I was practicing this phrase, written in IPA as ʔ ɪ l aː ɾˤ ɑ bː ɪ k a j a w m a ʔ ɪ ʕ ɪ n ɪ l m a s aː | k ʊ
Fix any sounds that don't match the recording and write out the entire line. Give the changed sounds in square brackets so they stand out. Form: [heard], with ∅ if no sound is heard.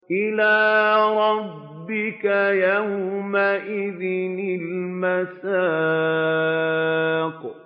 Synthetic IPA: ʔ ɪ l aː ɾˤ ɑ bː ɪ k a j a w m a ʔ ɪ [ð] ɪ n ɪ l m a s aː | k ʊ

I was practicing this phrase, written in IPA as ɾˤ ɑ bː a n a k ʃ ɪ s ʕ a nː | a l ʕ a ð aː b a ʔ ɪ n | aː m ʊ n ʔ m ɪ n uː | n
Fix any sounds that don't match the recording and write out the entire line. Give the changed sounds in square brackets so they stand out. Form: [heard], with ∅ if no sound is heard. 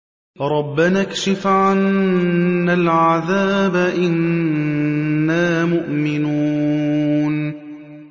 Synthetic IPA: ɾˤ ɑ bː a n a k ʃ ɪ [f] ʕ a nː | a l ʕ a ð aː b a ʔ ɪ n | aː m ʊ [∅] ʔ m ɪ n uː | n

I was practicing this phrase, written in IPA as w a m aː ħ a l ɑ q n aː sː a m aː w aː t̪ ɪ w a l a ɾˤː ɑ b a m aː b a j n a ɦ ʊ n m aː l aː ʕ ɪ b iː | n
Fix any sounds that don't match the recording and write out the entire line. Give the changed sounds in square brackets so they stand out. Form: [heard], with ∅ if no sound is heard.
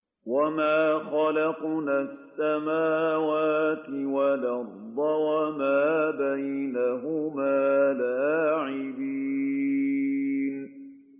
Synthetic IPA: w a m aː [x] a l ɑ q n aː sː a m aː w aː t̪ ɪ w a l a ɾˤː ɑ [w] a m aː b a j n a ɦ ʊ [∅] m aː l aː ʕ ɪ b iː | n

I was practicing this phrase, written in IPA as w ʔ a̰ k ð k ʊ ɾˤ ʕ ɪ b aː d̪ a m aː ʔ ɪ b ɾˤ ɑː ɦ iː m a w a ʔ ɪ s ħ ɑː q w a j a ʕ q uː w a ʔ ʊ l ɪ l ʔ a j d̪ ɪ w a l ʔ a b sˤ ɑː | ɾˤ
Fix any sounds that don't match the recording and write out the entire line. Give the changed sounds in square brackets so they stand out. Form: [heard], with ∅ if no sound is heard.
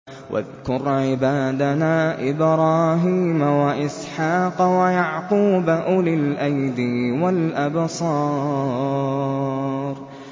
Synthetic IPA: w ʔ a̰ [∅] ð k ʊ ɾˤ ʕ ɪ b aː d̪ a [n] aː ʔ ɪ b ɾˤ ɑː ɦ iː m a w a ʔ ɪ s ħ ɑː q w a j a ʕ q uː [b] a ʔ ʊ l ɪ l ʔ a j d̪ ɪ w a l ʔ a b sˤ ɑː | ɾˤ

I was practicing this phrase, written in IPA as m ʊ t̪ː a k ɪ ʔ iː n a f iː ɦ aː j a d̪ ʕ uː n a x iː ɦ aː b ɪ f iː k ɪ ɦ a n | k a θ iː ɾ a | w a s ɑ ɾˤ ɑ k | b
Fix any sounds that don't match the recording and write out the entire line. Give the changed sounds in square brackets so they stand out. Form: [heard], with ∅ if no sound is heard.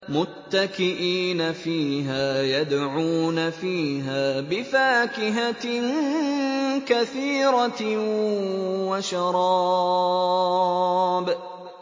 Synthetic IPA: m ʊ t̪ː a k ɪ ʔ iː n a f iː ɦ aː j a d̪ ʕ uː n a [f] iː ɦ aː b ɪ f [aː] k ɪ ɦ a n | k a θ iː ɾ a | w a [ʃ] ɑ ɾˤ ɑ [∅] | b

